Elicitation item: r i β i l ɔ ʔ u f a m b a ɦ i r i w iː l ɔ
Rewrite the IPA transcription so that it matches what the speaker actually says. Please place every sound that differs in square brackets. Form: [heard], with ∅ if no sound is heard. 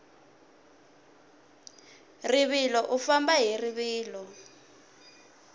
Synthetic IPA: r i β i l ɔ ʔ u f a m b a ɦ i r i [β] iː l ɔ